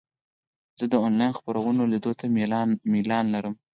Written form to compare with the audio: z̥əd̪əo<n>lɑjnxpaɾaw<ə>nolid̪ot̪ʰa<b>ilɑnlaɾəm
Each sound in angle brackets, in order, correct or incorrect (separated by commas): correct, correct, incorrect